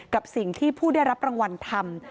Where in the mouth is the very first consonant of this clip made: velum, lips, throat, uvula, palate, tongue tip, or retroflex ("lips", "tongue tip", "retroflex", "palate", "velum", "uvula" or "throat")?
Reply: velum